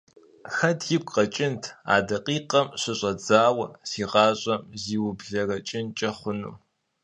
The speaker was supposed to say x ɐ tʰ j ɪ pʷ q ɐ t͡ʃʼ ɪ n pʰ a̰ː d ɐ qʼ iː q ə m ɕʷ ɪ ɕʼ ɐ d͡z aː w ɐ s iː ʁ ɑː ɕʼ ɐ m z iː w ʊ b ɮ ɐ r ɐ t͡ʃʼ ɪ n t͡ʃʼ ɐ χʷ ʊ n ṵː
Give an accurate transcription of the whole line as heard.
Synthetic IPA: x ɐ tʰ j ɪ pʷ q ɐ t͡ʃʼ ɪ n tʰ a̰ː d ɐ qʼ iː q ɐ m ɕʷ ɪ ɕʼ ɐ d͡z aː w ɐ s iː ʁ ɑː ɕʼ ɐ m z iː w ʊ b ɮ ɐ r ɐ t͡ʃʼ ɪ n t͡ʃʼ ɐ χʷ ʊ n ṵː